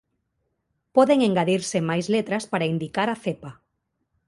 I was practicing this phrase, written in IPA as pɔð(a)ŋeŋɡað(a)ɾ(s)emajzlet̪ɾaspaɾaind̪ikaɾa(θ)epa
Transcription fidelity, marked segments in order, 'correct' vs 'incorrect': incorrect: e, incorrect: i, correct, correct

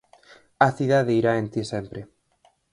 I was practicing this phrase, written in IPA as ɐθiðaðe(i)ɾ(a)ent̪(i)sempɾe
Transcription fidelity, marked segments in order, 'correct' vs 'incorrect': correct, correct, correct

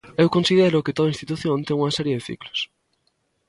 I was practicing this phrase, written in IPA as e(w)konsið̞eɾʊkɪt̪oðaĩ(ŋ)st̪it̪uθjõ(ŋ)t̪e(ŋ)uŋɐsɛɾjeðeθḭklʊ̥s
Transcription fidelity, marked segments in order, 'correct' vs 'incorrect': correct, incorrect: n, incorrect: n, correct

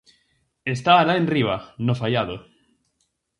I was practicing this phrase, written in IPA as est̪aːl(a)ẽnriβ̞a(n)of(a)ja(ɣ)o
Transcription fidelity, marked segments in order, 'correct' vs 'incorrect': correct, correct, correct, incorrect: ð

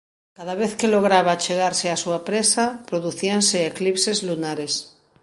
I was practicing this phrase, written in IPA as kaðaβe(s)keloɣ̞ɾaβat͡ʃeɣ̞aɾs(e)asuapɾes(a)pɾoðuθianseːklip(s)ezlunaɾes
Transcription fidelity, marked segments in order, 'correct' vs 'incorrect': incorrect: θ, correct, correct, correct

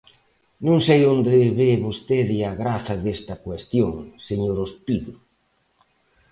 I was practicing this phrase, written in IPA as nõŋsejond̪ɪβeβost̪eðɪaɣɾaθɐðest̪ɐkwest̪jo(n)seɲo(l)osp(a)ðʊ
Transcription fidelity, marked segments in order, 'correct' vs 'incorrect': incorrect: ŋ, incorrect: ɾ, incorrect: i

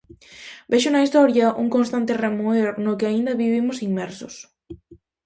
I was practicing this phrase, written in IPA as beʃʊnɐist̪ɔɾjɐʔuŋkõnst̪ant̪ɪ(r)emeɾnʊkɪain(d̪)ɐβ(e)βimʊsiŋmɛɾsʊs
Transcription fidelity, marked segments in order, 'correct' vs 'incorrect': correct, correct, incorrect: i

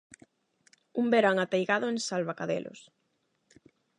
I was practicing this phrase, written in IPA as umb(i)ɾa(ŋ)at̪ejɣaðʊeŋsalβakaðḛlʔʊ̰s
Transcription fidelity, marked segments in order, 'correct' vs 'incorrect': incorrect: e, correct

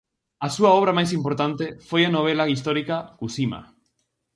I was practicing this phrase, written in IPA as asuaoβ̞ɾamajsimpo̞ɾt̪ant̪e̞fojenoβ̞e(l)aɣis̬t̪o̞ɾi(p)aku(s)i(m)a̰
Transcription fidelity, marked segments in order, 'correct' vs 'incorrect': correct, incorrect: k, correct, correct

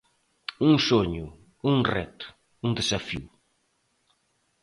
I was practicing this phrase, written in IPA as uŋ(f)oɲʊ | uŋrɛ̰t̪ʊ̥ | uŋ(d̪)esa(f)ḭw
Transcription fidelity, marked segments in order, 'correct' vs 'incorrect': incorrect: s, correct, correct

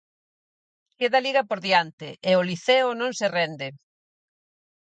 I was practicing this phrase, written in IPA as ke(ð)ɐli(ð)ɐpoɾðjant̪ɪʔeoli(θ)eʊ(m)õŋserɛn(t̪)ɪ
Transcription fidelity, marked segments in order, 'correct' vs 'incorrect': correct, incorrect: ɣ, correct, incorrect: n, incorrect: d̪

